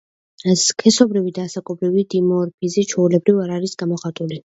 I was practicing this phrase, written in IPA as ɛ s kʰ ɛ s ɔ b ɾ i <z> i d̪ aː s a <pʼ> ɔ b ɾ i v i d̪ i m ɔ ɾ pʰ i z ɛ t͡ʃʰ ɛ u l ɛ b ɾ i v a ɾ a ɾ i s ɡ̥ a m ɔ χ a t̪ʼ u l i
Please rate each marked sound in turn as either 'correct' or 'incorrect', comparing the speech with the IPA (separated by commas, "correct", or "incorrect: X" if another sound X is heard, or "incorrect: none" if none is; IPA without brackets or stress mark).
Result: incorrect: v, incorrect: kʼ